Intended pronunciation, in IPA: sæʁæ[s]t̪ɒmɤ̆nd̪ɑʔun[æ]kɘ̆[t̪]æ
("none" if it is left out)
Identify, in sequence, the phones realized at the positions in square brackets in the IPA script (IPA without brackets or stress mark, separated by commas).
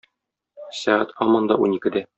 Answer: none, i, d̪